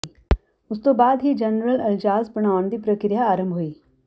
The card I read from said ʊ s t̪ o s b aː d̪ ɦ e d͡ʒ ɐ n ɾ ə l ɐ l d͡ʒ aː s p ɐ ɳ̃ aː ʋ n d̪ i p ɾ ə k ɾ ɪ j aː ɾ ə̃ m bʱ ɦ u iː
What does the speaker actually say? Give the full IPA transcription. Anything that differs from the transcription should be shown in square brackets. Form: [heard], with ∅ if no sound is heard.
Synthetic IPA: ʊ s t̪ o [∅] b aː d̪ ɦ [i] d͡ʒ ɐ n ɾ ə l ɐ l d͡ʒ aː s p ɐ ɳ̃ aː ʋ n d̪ i p ɾ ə k ɾ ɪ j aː ɾ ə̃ m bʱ ɦ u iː

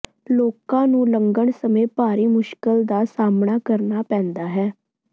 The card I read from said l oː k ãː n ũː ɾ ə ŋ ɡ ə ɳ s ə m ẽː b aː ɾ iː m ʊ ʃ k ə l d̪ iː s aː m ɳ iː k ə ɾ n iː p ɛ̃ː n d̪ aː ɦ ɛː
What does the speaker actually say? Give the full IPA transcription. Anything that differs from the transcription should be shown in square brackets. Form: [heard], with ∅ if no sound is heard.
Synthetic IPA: l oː k ãː n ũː [l] ə ŋ ɡ ə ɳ s ə m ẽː [p] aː ɾ iː m ʊ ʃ k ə l d̪ [aː] s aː m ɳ [aː] k ə ɾ n [aː] p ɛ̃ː n d̪ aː ɦ ɛː

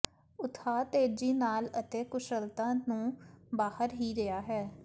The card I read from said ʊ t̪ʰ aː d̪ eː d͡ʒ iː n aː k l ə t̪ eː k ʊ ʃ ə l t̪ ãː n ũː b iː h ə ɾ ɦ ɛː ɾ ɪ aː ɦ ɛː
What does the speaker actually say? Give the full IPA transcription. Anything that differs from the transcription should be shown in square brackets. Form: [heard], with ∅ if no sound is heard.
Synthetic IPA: ʊ t̪ʰ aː [t̪] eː d͡ʒ iː n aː [∅] l ə t̪ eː k ʊ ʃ ə l t̪ ãː n ũː b [aː] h ə ɾ ɦ [iː] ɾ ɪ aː ɦ ɛː

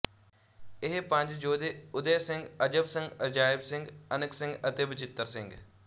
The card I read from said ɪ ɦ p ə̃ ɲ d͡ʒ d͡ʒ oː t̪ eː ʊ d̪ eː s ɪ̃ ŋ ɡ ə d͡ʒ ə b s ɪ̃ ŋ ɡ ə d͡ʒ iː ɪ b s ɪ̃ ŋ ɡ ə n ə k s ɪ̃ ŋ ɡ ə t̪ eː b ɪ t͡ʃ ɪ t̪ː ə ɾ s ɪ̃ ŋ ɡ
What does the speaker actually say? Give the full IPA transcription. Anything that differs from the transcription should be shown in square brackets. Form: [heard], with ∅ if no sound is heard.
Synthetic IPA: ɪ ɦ p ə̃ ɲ d͡ʒ d͡ʒ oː [d̪] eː ʊ d̪ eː s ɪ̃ ŋ ɡ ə d͡ʒ ə b s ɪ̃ ŋ ɡ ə d͡ʒ [aː] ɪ b s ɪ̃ ŋ ɡ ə n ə k s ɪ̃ ŋ ɡ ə t̪ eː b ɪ t͡ʃ ɪ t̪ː ə ɾ s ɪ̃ ŋ ɡ

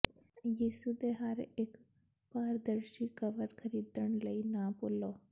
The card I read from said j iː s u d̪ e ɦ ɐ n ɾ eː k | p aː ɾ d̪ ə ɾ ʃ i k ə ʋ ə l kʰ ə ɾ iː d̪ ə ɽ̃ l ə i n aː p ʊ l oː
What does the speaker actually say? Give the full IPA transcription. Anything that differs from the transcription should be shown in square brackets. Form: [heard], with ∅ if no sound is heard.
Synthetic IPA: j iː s u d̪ e ɦ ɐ [∅] ɾ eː k | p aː ɾ d̪ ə ɾ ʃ i k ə ʋ ə [ɾ] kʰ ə ɾ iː d̪ ə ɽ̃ l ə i n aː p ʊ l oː

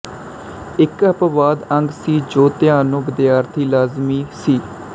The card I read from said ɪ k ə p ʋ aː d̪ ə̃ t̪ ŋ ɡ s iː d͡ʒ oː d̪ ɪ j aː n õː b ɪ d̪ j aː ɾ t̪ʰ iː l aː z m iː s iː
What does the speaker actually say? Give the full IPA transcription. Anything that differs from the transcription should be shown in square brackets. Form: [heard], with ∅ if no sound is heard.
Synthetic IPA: ɪ k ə p ʋ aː d̪ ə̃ [∅] ŋ ɡ s iː d͡ʒ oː [t̪] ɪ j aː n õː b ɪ d̪ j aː ɾ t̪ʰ iː l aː z m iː s iː

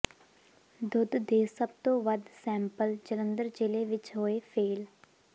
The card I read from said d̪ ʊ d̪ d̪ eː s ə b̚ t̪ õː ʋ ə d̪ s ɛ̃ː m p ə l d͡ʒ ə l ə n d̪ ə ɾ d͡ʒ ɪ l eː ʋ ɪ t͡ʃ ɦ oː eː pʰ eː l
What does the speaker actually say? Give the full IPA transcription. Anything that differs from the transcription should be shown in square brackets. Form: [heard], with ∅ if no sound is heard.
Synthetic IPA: d̪ ʊ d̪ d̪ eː s ə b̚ t̪ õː ʋ ə d̪ s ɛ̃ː m p ə l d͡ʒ ə l ə n d̪ ə ɾ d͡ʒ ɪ l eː ʋ ɪ t͡ʃ ɦ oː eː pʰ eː l

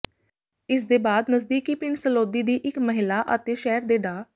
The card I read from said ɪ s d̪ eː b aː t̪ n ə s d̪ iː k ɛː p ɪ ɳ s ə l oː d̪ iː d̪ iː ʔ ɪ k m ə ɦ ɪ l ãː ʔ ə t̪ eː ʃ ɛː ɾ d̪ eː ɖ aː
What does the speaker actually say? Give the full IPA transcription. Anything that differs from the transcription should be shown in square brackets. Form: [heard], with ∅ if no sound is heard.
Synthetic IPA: ɪ s d̪ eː b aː [d̪] n ə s d̪ iː k [iː] p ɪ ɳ s ə l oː d̪ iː d̪ iː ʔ ɪ k m ə ɦ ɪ l [aː] ʔ ə t̪ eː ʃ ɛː ɾ d̪ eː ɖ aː

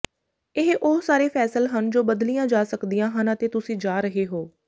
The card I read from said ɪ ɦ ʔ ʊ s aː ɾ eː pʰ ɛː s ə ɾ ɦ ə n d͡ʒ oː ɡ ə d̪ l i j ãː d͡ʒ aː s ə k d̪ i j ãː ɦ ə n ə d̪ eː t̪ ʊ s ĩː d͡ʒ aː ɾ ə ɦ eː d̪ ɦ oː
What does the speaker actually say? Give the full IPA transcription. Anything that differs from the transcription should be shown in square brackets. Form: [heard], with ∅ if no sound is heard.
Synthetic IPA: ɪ ɦ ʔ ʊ s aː ɾ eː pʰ ɛː s ə [l] ɦ ə n d͡ʒ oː [b] ə d̪ l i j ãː d͡ʒ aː s ə k d̪ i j ãː ɦ ə n ə [t̪] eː t̪ ʊ s ĩː d͡ʒ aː ɾ ə ɦ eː [∅] ɦ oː

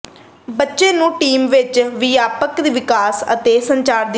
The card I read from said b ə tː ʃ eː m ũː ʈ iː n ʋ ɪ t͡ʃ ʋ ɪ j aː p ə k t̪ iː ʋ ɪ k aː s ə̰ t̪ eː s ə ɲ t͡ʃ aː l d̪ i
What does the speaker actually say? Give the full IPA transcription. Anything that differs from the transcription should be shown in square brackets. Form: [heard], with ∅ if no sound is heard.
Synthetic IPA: b ə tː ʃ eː [n] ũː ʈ iː [m] ʋ ɪ t͡ʃ ʋ ɪ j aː p ə k [d̪] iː ʋ ɪ k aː s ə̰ t̪ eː s ə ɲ t͡ʃ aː [ɾ] d̪ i

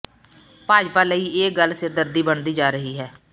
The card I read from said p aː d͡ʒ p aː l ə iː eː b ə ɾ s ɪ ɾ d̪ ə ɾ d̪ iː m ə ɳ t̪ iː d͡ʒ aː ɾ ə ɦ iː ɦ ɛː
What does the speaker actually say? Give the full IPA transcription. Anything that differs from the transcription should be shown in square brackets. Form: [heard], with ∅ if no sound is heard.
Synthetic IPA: p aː d͡ʒ p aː l ə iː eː [ɡ] ə [l] s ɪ ɾ d̪ ə ɾ d̪ iː [b] ə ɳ [d̪] iː d͡ʒ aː ɾ ə ɦ iː ɦ ɛː

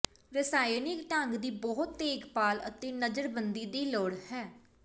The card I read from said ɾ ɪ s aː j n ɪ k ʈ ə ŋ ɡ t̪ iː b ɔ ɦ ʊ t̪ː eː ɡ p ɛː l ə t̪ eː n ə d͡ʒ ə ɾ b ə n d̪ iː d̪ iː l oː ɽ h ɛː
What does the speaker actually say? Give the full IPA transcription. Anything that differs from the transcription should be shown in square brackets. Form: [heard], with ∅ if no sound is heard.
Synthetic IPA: ɾ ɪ s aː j n ɪ k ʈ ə ŋ ɡ [d̪] iː b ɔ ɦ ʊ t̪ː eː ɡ p [aː] l ə t̪ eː n ə d͡ʒ ə ɾ b ə n d̪ iː d̪ iː l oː ɽ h ɛː

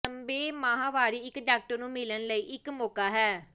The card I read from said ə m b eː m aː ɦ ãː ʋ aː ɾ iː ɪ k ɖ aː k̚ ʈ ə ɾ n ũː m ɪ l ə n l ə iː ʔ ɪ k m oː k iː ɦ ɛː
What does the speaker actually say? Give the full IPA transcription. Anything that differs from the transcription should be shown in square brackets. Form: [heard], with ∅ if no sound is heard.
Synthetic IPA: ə m b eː m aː ɦ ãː ʋ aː ɾ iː ɪ k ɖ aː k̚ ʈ ə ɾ n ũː m ɪ l ə n l ə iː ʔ ɪ k m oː k [aː] ɦ ɛː

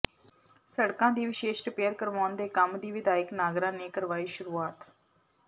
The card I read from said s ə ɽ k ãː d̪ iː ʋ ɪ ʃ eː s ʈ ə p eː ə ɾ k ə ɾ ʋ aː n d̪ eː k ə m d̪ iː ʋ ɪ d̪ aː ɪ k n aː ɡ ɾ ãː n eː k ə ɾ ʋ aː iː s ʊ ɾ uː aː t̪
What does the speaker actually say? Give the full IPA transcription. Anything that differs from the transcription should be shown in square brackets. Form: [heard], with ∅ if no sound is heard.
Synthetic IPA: s ə ɽ k ãː d̪ iː ʋ ɪ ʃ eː [ʃ] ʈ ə p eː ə ɾ k ə ɾ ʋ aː n d̪ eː k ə m d̪ iː ʋ ɪ d̪ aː ɪ k n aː ɡ ɾ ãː n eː k ə ɾ ʋ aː iː [ʃ] ʊ ɾ uː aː t̪

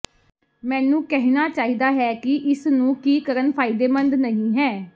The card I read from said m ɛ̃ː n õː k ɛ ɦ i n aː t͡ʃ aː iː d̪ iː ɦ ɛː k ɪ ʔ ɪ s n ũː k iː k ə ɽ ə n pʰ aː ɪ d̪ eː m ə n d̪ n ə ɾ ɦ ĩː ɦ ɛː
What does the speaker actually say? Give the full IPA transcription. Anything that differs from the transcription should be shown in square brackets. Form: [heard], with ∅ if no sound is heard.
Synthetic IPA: m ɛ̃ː n [ũː] k ɛ ɦ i n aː t͡ʃ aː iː d̪ [aː] ɦ ɛː k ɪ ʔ ɪ s n ũː k iː k ə [ɾ] ə n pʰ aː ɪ d̪ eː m ə n d̪ n ə [∅] ɦ ĩː ɦ ɛː

